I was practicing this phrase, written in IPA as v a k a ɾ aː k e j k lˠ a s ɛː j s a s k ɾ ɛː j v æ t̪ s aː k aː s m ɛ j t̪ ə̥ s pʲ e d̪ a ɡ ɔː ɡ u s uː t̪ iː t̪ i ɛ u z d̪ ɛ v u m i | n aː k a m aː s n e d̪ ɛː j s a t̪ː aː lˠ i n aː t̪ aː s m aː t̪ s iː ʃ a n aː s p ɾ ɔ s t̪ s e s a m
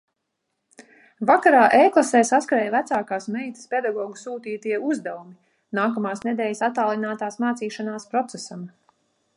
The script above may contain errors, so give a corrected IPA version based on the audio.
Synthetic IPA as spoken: v a k a ɾ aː ʔ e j k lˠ a s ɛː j s a s k ɾ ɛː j v æ t̪ s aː k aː s m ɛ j t̪ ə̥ s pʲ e d̪ a ɡ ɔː ɡ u s uː t̪ iː t̪ i ɛ u z d̪ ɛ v u m i | n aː k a m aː s n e d̪ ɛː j s a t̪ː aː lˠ i n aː t̪ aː s m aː t̪ s iː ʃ a n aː s p ɾ ɔ t̪ s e s a m